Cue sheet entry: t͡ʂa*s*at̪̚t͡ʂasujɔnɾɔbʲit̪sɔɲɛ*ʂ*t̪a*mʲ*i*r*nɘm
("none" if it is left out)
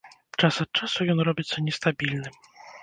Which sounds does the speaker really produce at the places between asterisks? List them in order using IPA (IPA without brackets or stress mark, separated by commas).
s, s, bʲ, l